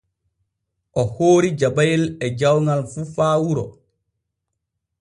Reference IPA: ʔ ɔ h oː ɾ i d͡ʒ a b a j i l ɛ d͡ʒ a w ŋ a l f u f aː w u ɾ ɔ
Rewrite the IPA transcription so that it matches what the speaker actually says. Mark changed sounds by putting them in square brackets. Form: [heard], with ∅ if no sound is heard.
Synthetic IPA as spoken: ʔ ɔ h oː ɾ i d͡ʒ a b a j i l ɛ d͡ʒ a w ŋ a l f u f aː w u ɾ ɔ

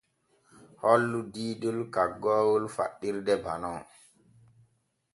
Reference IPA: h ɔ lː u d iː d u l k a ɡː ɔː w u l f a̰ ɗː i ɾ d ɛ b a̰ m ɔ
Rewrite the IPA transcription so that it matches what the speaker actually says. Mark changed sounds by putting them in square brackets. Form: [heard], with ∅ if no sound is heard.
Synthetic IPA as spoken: h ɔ lː u d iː d u l k a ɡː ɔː w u l f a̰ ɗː i ɾ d ɛ b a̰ [n] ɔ

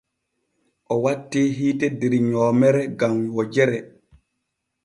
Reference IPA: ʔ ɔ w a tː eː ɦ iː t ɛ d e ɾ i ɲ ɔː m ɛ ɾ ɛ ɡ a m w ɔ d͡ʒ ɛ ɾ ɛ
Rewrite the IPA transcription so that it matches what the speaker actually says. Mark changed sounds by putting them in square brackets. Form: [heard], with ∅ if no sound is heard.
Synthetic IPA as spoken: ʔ ɔ w a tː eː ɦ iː t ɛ d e ɾ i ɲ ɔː m ɛ ɾ ɛ ɡ a m w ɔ d͡ʒ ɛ ɾ ɛ

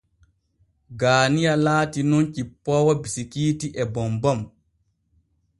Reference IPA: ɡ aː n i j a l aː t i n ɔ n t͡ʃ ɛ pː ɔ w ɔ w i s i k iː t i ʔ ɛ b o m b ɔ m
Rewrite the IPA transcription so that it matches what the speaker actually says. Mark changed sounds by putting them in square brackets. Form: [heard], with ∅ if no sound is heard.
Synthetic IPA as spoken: ɡ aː n i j a l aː t i n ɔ n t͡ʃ [i] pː ɔ w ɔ [b] i s i k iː t i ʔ ɛ b [ɔ] m b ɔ m

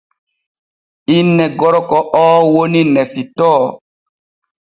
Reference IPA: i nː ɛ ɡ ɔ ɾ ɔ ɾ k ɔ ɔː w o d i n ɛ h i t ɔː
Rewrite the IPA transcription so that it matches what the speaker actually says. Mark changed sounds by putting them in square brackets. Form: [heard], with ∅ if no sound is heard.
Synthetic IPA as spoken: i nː ɛ ɡ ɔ ɾ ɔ [∅] k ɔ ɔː w o [n] i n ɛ [s] i t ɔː

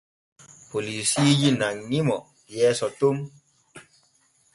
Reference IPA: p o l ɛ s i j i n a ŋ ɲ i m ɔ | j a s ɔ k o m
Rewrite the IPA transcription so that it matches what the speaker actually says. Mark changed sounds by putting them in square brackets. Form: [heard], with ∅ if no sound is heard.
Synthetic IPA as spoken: p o l [i] s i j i n a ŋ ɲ i m ɔ | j [ɛ] s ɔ [t] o m

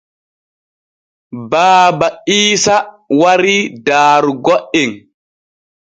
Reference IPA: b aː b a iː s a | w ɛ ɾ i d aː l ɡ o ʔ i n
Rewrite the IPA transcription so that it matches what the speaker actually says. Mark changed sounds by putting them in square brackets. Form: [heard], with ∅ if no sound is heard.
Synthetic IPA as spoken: b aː b a iː s a | w [a] ɾ i d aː [ɾ] ɡ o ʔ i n

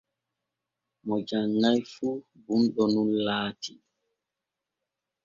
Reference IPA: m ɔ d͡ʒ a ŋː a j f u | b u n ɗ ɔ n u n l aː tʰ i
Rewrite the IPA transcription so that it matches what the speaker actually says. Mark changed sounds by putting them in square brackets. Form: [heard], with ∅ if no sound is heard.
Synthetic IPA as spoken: m ɔ d͡ʒ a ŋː a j f u | b u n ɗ ɔ n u n l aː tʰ i

